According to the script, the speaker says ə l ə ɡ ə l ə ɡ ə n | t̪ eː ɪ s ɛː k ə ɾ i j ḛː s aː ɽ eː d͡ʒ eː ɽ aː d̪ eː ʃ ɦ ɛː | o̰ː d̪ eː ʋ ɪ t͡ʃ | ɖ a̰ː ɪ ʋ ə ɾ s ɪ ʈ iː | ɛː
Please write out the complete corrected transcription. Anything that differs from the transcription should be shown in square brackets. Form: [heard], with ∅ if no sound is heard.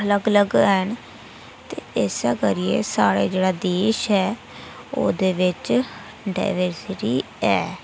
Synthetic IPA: ə l ə ɡ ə l ə ɡ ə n | t̪ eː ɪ s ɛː k ə ɾ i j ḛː s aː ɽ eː d͡ʒ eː ɽ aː d̪ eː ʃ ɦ ɛː | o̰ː d̪ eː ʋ ɪ t͡ʃ | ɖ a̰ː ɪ ʋ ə ɾ s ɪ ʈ iː | ɛː